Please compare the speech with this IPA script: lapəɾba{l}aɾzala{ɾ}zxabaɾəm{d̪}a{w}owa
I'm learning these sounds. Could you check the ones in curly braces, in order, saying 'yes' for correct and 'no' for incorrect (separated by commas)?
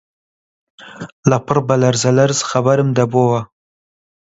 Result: yes, yes, yes, no